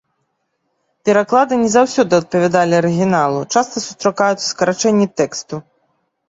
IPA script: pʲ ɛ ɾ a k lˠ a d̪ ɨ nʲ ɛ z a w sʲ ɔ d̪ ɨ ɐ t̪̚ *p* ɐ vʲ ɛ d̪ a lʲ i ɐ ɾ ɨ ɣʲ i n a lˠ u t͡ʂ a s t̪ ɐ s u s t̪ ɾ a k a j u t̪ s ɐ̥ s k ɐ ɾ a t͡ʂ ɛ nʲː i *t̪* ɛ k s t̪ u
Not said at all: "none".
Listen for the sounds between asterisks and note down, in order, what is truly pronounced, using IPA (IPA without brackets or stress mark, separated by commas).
p, t̪